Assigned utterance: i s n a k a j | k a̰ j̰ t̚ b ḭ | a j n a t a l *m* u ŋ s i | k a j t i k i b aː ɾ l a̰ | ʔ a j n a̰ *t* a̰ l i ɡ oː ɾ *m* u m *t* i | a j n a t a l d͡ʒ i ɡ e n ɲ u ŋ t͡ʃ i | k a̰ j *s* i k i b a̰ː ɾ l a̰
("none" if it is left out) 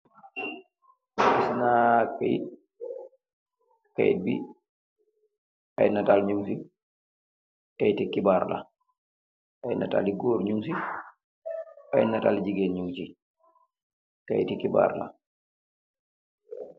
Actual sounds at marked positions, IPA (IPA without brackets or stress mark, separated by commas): ɲ, t, ɲ, s, t